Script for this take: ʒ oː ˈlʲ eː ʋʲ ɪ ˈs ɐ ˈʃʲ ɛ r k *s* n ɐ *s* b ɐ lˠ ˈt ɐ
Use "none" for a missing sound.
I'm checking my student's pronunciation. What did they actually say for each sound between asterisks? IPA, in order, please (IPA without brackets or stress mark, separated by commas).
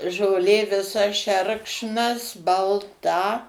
ʃ, s